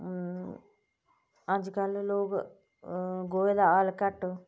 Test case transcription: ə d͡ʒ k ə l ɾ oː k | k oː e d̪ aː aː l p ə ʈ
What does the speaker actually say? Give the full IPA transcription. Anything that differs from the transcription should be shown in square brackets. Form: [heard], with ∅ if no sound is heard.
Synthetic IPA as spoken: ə d͡ʒ k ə l [l] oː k | [ɡ] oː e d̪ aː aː l [k] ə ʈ